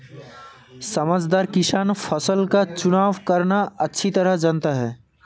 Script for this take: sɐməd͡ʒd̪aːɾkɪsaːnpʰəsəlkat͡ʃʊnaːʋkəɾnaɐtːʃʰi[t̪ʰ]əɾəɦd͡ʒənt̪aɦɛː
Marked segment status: incorrect: t̪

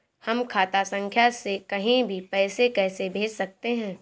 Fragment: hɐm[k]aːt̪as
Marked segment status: incorrect: kʰ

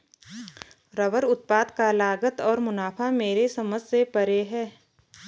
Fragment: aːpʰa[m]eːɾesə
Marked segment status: correct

